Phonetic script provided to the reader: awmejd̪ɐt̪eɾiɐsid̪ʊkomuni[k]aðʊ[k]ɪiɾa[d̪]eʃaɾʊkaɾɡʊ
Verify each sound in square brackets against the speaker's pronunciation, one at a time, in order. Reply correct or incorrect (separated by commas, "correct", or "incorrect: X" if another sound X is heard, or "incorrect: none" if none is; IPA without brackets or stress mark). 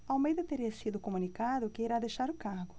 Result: correct, correct, correct